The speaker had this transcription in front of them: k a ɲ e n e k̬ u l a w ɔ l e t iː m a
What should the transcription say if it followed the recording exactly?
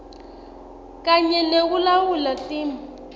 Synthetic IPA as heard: k a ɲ ɛ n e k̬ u l a w u l a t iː m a